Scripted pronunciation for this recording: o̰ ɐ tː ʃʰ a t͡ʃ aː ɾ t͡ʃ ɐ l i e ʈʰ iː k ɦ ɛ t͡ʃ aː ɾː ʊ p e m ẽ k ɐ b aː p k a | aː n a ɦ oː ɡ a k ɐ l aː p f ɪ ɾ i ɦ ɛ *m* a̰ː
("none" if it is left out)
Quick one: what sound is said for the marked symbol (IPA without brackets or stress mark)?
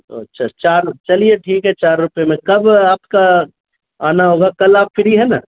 n